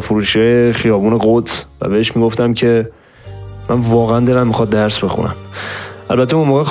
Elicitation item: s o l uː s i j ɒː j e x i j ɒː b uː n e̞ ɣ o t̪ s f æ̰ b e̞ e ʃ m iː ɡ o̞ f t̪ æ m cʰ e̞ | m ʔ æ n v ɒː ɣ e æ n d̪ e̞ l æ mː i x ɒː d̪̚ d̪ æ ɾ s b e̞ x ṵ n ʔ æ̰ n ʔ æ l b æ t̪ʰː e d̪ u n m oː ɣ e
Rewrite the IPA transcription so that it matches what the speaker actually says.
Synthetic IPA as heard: f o ɾ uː ʃ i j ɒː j e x i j ɒː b uː n e̞ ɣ o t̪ s v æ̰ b e̞ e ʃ m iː ɡ o̞ f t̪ æ m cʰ e̞ | m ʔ æ n v ɒː ɣ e æ n d̪ e̞ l æ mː i x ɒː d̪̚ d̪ æ ɾ s b e̞ x ṵ n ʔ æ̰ m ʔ æ l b æ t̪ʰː e u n m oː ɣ e